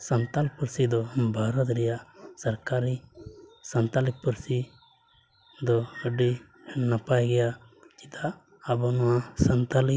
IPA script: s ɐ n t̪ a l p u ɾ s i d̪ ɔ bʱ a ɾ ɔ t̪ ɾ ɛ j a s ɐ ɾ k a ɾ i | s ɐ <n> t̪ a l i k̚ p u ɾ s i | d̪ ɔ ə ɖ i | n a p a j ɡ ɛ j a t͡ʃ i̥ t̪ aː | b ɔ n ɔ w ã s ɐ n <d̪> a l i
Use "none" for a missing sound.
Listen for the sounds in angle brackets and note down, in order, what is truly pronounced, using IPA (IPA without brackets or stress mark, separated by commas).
n, t̪